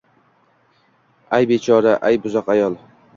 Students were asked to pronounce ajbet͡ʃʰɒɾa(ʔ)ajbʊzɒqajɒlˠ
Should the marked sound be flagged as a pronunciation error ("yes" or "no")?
no